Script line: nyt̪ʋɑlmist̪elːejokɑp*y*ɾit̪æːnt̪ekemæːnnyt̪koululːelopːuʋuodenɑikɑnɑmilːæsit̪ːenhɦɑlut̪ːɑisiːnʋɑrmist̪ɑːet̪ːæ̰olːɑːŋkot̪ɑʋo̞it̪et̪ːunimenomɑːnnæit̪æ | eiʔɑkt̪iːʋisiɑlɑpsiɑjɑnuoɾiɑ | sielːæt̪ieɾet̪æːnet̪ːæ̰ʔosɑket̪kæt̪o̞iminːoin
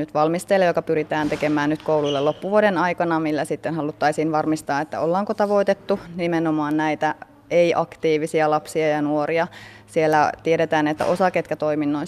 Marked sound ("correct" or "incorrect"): correct